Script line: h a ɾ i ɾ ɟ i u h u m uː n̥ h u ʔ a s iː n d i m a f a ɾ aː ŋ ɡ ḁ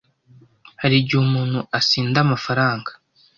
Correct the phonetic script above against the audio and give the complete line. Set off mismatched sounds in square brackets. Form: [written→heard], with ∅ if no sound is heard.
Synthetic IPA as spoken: h a ɾ i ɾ ɟ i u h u m uː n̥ h u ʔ a s iː n d [i→a] m a f a ɾ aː ŋ ɡ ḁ